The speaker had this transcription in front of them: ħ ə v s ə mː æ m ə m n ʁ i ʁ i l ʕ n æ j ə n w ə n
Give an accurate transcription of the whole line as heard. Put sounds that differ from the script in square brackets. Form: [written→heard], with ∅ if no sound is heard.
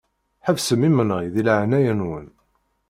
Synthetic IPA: ħ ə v s ə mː [æ→i] m ə [m→∅] n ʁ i [ʁ→ð] i l ʕ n æ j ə n w ə n